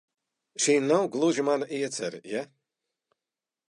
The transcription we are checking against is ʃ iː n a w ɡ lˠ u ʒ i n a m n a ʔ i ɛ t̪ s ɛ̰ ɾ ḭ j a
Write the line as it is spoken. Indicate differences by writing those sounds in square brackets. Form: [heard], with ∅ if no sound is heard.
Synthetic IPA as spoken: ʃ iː n a w ɡ lˠ u ʒ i [m] a [∅] n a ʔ i ɛ t̪ s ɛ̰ ɾ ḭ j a